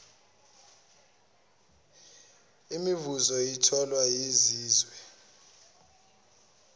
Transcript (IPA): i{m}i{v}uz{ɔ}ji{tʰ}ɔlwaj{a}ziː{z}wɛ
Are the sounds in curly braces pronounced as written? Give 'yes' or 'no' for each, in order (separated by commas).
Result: yes, yes, yes, yes, no, yes